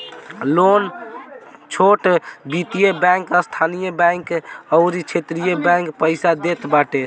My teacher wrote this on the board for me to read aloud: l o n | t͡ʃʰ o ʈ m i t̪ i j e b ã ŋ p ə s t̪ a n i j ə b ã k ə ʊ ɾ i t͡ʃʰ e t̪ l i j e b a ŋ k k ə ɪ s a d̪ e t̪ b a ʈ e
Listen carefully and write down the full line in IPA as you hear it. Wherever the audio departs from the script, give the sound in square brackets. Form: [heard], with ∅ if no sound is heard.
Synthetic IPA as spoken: l o n | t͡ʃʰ o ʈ [b] i t̪ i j e b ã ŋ [k] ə s [t̪ʰ] a n i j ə b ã k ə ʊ ɾ i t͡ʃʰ e t̪ [ɾ] i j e b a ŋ k [p] ə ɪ s a d̪ e t̪ b a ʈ e